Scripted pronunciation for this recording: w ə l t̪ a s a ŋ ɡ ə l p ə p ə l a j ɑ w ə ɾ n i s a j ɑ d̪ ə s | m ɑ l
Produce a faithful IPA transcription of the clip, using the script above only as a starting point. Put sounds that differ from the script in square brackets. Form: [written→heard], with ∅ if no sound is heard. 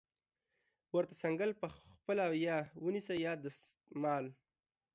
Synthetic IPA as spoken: w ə [l→ɾ] t̪ a s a ŋ ɡ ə l p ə p ə l a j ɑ w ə [ɾ→∅] n i s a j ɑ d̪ ə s | m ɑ l